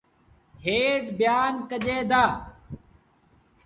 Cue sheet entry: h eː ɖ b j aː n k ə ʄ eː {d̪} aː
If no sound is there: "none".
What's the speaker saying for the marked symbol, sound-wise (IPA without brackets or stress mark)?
d̪